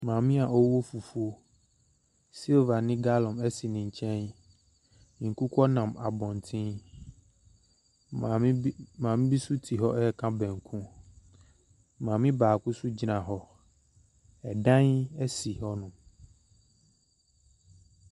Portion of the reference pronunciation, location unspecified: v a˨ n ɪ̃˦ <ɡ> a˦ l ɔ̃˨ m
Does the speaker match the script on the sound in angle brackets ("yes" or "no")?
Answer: yes